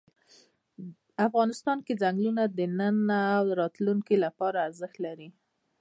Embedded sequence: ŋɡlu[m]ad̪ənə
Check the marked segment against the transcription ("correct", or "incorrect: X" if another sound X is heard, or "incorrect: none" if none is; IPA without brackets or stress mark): incorrect: n